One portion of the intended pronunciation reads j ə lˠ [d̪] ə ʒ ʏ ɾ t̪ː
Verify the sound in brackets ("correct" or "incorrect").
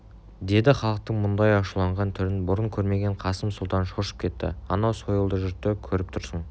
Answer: correct